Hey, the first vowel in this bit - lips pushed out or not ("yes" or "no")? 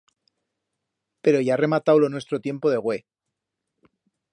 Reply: no